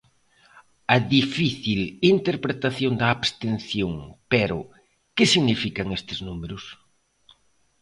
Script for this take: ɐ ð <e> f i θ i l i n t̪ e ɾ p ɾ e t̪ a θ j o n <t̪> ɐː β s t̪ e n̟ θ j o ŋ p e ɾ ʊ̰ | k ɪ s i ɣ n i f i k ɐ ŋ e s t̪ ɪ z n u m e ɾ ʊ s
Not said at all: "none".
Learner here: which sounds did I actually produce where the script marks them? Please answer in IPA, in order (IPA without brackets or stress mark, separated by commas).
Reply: i, d̪